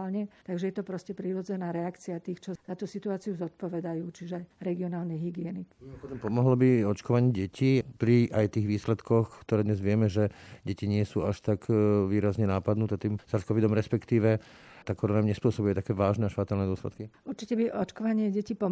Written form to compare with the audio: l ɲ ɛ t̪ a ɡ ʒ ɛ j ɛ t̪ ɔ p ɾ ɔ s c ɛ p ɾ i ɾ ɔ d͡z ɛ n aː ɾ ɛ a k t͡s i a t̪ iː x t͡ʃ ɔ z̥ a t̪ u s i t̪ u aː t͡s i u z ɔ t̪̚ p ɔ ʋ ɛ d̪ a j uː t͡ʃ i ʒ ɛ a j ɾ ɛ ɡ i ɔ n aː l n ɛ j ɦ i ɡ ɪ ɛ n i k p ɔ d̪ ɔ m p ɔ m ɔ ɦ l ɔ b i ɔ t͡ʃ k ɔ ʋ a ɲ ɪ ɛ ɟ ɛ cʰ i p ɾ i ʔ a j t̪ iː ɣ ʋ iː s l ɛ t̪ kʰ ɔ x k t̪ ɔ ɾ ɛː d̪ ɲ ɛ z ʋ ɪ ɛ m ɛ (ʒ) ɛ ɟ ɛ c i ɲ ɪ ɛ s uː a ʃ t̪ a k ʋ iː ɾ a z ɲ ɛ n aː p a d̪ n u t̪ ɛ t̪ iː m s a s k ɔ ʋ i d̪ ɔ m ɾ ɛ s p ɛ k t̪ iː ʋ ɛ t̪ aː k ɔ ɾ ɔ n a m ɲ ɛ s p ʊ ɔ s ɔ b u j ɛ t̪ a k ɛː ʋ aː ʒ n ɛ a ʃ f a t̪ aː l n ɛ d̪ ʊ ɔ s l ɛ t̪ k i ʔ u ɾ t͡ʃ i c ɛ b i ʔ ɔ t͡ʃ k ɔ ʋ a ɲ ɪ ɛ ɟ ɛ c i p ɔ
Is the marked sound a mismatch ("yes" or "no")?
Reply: no